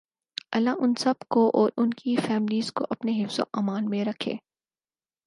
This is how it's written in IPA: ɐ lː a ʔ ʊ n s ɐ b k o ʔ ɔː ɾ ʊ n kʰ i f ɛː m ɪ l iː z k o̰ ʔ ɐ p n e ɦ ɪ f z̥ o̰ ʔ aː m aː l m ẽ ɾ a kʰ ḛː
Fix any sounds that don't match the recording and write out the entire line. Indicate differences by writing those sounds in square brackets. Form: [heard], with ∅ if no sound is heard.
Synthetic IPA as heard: ɐ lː a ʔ ʊ n s ɐ b k o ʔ ɔː ɾ ʊ n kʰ i f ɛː m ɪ l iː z k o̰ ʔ ɐ p n e ɦ ɪ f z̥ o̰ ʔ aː m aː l m ẽ ɾ [ɐ] kʰ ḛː